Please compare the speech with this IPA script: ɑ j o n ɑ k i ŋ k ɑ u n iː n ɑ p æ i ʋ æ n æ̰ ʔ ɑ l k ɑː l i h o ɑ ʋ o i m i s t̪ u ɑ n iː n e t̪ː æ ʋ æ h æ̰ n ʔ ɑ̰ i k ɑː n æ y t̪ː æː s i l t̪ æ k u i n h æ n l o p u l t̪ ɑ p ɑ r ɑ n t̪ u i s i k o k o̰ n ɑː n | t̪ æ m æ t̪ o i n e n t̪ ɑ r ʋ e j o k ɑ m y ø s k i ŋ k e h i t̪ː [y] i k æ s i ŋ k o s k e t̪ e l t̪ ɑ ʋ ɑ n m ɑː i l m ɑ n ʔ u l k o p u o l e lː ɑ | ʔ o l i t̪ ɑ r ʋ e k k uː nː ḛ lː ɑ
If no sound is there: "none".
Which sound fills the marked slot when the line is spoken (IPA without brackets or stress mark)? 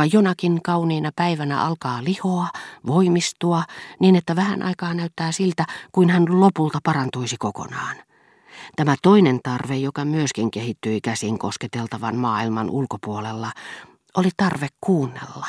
y